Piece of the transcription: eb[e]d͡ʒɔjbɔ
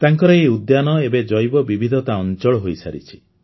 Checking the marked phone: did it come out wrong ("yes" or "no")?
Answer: no